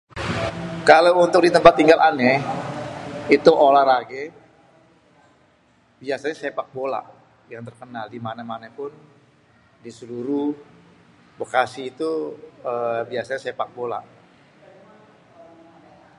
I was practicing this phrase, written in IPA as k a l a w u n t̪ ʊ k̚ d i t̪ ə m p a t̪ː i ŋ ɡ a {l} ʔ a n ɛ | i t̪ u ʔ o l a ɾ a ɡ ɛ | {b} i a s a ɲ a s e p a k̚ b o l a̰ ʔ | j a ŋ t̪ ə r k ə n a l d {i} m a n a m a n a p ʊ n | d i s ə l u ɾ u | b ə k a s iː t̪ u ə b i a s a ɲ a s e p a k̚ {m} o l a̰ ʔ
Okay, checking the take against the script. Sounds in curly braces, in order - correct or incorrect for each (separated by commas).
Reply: correct, correct, correct, incorrect